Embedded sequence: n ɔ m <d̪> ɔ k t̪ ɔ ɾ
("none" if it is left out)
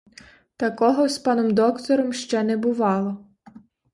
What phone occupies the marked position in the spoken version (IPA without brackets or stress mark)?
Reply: d̪